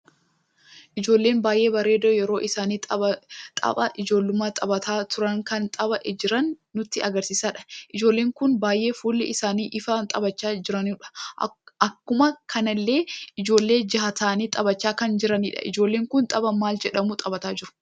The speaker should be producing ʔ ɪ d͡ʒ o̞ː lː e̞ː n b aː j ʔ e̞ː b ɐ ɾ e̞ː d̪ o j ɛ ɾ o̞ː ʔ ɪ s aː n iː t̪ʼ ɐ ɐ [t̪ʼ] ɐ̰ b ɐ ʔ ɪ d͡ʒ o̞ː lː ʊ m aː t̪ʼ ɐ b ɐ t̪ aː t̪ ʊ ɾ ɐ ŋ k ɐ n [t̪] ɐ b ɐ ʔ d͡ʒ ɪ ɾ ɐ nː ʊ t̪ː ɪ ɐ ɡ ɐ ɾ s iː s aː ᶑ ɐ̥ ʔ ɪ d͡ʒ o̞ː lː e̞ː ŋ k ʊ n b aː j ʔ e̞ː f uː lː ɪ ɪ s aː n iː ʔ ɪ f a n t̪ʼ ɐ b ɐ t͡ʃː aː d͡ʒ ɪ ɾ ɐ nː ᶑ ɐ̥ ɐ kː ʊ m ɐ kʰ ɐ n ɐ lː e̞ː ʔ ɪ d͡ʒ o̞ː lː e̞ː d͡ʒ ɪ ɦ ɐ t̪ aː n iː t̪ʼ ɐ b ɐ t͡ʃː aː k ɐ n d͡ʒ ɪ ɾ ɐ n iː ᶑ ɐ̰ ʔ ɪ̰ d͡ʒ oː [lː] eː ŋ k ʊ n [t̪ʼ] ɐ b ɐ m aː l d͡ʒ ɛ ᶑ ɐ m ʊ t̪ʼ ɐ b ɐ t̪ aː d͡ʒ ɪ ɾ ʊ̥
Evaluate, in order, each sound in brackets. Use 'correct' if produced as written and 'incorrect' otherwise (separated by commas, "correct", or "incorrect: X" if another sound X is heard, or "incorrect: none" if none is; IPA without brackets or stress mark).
correct, incorrect: t̪ʼ, correct, correct